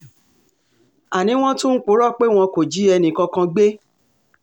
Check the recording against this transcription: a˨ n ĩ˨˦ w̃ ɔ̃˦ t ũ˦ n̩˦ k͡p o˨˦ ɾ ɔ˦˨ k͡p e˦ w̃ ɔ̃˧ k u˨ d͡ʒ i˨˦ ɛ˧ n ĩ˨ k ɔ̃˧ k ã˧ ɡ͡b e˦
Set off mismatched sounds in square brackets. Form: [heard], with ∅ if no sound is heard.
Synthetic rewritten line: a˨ n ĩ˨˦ w̃ ɔ̃˦ t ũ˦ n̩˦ k͡p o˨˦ ɾ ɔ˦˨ k͡p e˦ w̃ ɔ̃˧ k [o˨] d͡ʒ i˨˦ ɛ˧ n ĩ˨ k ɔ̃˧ k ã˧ ɡ͡b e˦

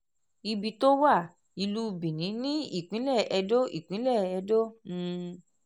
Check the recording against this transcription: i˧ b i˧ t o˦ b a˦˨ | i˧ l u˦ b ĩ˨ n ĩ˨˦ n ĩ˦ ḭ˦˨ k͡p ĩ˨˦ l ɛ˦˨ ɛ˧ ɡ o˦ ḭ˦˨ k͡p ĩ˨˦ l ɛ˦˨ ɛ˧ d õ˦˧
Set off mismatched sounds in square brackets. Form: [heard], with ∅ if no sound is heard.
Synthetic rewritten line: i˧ b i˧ t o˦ [w] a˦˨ | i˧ l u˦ b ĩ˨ n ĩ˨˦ n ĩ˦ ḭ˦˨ k͡p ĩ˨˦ l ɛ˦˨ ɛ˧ [d] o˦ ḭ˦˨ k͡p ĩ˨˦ l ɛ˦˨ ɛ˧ d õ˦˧

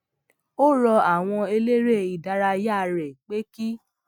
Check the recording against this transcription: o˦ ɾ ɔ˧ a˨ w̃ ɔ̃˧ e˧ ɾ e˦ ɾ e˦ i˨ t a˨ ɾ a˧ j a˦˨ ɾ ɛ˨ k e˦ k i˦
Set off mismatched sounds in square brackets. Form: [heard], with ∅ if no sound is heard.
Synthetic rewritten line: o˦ ɾ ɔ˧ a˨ w̃ ɔ̃˧ e˧ [l] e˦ ɾ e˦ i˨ [d] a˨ ɾ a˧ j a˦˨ ɾ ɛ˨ [k͡p] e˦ k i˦

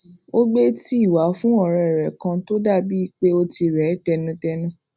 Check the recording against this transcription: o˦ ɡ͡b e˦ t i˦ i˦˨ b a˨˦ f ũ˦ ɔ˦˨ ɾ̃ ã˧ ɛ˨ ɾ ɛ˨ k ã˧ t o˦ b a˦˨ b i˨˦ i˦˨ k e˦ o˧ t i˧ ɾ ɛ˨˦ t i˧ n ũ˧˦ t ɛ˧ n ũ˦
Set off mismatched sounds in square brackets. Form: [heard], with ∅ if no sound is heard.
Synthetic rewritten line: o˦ ɡ͡b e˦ t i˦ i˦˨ [w] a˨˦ f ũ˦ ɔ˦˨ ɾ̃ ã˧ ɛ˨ ɾ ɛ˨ k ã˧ t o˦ [d] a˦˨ b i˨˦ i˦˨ [k͡p] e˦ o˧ t i˧ ɾ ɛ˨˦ t [ɛ˧] n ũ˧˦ t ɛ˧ n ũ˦

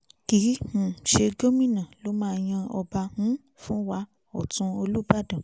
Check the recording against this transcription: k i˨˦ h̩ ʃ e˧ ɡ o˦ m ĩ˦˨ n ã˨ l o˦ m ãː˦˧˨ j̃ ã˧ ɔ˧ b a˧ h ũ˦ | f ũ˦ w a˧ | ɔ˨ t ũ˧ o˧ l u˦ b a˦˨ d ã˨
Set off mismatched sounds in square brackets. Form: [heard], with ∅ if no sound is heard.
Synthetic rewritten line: k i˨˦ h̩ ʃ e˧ ɡ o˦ m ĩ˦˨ n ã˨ l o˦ m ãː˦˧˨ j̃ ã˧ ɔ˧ b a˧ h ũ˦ | f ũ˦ w a˧ | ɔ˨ t ũ˧ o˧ l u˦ b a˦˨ d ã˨

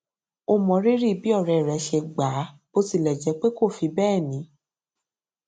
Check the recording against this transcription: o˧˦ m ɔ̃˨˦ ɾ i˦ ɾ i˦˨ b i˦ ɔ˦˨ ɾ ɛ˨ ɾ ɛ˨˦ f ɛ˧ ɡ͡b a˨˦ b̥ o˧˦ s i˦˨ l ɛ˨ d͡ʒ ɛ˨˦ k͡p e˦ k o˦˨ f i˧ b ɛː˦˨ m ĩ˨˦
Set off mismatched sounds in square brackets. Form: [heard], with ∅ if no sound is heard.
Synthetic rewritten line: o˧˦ m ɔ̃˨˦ ɾ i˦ ɾ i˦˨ b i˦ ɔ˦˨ ɾ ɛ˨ ɾ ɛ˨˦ [ʃ] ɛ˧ ɡ͡b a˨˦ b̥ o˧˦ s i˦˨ l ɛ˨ d͡ʒ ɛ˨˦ k͡p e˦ k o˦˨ f i˧ b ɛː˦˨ [n] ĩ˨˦

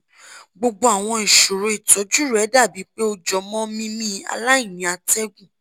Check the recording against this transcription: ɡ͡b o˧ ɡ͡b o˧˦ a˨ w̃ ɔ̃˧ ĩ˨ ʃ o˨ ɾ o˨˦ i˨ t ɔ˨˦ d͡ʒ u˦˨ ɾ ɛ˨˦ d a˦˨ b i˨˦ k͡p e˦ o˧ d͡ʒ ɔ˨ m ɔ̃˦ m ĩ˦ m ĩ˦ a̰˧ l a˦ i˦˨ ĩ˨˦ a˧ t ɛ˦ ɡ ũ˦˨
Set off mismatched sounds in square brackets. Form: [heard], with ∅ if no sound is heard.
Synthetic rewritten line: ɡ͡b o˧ ɡ͡b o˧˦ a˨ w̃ ɔ̃˧ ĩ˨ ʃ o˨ ɾ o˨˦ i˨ t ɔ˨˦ d͡ʒ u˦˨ ɾ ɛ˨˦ d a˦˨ b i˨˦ k͡p e˦ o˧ d͡ʒ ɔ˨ m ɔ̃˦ m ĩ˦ m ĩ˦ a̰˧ l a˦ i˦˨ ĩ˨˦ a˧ t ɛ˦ ɡ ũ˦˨

